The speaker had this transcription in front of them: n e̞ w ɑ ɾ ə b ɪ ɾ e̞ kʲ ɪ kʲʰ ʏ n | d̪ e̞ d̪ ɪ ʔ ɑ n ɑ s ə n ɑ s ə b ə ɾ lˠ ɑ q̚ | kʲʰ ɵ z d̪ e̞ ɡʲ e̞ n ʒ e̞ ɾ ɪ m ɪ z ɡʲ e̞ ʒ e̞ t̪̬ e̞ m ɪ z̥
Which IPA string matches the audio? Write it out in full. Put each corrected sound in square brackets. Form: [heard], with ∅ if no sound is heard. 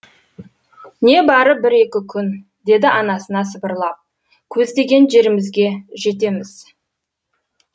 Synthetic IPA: n e̞ [b] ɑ ɾ ə b ɪ ɾ e̞ kʲ ɪ kʲʰ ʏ n | d̪ e̞ d̪ ɪ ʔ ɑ n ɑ s ə n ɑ s ə b ə ɾ lˠ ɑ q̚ | kʲʰ ɵ z d̪ e̞ ɡʲ e̞ n ʒ e̞ ɾ ɪ m ɪ z ɡʲ e̞ ʒ e̞ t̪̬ e̞ m ɪ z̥